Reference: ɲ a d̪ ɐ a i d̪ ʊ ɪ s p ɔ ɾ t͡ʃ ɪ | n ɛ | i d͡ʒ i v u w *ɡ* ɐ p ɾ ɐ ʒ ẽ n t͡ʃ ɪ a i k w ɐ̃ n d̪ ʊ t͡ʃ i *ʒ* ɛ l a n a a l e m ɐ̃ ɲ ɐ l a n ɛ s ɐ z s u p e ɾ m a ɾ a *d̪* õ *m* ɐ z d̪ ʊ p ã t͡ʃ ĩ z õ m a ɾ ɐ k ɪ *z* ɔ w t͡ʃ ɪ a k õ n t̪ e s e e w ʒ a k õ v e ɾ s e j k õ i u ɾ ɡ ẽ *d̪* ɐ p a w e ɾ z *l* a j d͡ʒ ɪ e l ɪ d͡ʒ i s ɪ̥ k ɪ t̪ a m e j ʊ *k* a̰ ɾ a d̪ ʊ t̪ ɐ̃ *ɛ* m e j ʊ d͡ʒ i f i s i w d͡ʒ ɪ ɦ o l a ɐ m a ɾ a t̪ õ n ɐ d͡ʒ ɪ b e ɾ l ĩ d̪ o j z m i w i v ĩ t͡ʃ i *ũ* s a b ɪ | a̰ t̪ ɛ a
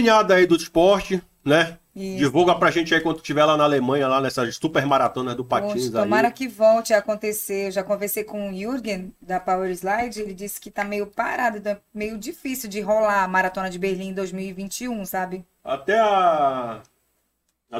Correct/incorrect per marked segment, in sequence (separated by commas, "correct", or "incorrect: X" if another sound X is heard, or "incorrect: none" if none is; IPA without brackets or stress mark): correct, incorrect: v, incorrect: t̪, incorrect: n, incorrect: v, correct, correct, incorrect: p, correct, correct